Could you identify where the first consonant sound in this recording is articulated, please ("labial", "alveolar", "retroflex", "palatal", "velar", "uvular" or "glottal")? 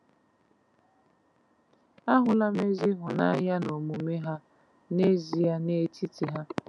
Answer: glottal